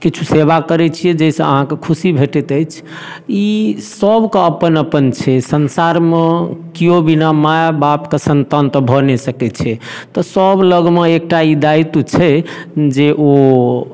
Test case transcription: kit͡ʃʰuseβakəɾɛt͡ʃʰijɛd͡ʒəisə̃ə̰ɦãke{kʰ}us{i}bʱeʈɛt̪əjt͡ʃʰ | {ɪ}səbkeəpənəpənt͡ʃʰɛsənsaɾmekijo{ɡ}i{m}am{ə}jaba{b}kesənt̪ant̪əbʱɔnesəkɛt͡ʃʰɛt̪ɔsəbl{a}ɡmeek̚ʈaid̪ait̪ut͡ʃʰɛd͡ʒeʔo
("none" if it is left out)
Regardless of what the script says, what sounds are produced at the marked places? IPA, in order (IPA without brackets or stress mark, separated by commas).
kʰ, i, i, b, n, a, p, ə